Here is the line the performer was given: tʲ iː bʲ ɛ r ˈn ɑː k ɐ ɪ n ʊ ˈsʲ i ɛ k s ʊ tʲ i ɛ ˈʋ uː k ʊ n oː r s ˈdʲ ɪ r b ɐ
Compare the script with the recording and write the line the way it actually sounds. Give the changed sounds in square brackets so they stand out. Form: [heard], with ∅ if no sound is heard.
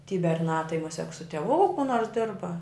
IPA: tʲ iː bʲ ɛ r ˈn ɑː [t] ɐ ɪ [m] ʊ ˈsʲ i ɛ k s ʊ tʲ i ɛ ˈʋ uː k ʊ n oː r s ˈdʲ ɪ r b ɐ